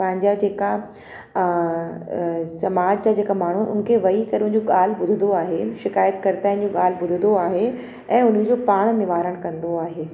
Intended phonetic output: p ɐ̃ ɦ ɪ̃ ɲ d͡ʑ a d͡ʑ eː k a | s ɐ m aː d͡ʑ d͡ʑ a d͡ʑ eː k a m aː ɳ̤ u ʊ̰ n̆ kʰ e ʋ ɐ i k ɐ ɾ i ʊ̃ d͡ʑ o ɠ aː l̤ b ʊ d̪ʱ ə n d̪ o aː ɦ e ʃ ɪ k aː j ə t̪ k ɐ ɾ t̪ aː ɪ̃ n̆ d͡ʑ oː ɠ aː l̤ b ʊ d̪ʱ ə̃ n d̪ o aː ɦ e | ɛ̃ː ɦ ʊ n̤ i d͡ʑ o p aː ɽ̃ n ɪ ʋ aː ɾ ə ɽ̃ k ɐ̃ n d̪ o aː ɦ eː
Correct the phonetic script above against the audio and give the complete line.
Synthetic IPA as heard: p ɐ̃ ɦ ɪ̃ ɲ d͡ʑ a d͡ʑ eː k a | s ɐ m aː d͡ʑ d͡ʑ a d͡ʑ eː k a m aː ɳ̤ u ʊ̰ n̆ kʰ e ʋ ɐ i k ɐ ɾ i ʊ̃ d͡ʑ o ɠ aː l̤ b ʊ d̪ʱ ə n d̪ o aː ɦ e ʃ ɪ k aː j ə t̪ k ɐ ɾ t̪ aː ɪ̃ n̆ d͡ʑ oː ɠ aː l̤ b ʊ d̪ʱ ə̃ n d̪ o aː ɦ e | ɛ̃ː ʊ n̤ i d͡ʑ o p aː ɽ̃ n ɪ ʋ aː ɾ ə ɽ̃ k ɐ̃ n d̪ o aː ɦ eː